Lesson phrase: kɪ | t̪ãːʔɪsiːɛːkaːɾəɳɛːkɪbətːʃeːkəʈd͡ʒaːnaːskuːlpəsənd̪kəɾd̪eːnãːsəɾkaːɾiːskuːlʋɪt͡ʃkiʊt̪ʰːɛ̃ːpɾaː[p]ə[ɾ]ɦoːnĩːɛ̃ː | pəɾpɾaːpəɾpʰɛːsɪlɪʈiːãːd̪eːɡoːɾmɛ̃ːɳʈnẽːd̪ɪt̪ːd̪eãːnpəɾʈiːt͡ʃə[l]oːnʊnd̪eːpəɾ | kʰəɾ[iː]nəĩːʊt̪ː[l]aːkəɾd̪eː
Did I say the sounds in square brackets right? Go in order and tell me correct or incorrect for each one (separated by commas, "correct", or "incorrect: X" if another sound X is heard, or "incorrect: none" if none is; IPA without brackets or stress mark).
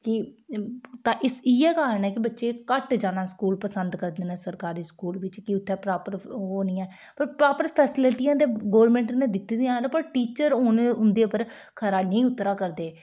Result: correct, correct, incorrect: ɾ, incorrect: aː, incorrect: ɾ